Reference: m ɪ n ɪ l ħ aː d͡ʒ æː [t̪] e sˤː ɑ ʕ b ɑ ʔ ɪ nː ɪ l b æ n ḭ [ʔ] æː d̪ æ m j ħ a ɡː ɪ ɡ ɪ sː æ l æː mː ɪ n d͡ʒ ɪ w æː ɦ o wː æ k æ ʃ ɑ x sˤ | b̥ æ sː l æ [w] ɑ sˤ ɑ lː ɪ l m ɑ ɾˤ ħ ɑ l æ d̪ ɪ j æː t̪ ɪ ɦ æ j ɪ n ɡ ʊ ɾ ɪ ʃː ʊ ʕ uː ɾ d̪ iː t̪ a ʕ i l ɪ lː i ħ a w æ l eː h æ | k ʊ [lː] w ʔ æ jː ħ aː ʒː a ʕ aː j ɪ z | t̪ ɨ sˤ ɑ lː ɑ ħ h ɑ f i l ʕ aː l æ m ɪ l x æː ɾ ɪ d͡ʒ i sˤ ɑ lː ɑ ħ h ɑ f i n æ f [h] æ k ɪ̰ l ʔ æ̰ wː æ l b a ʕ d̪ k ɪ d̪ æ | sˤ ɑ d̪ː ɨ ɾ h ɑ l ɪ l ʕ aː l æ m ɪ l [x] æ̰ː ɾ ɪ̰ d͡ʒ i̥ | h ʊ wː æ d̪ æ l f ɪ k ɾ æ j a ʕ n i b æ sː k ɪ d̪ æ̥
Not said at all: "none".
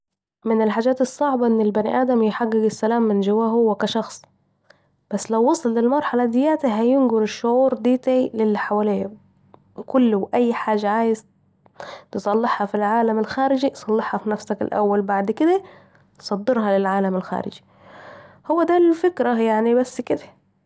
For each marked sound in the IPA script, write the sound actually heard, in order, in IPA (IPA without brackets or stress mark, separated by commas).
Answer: t̪, ʔ, wː, lː, s, x